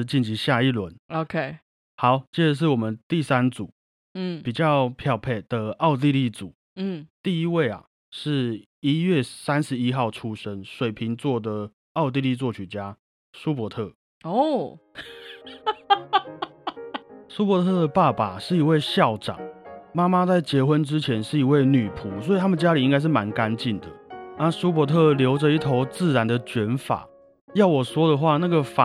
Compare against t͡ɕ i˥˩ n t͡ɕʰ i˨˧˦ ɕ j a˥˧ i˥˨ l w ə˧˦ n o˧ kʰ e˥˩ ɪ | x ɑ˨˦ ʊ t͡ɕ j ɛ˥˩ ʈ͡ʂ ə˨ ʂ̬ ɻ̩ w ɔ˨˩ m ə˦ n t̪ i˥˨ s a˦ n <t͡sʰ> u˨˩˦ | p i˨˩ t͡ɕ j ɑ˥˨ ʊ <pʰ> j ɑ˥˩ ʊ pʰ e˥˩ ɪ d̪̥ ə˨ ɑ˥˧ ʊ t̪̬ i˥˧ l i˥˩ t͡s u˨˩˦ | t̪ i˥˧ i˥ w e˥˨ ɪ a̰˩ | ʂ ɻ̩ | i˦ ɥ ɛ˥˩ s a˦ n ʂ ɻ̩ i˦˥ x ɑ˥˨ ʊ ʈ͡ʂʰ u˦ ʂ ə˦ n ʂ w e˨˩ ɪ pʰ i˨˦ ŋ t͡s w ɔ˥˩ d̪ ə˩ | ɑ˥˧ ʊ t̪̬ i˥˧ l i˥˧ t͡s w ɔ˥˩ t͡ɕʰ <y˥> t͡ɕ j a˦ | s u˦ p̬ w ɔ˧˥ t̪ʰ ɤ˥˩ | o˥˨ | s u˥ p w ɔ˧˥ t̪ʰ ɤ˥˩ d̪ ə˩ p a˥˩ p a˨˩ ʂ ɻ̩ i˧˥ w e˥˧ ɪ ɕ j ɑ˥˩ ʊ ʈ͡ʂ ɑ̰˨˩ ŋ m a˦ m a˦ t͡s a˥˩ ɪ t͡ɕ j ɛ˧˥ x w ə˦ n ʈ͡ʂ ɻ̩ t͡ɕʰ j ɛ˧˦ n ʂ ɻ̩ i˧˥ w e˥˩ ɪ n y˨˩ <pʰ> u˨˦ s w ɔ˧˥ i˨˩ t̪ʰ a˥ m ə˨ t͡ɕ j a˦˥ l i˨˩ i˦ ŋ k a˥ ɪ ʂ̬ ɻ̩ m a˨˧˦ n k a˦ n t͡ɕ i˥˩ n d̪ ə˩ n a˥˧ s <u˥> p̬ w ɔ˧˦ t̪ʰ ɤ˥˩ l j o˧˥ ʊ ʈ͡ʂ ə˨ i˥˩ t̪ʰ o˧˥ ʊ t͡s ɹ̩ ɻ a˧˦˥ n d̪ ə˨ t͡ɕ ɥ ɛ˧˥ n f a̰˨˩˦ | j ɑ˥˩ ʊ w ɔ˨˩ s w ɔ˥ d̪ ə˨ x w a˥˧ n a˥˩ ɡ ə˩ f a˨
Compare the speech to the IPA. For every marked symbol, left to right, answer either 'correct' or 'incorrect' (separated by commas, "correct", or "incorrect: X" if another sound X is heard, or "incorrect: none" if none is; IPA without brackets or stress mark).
incorrect: t͡s, correct, incorrect: y˨˩, correct, correct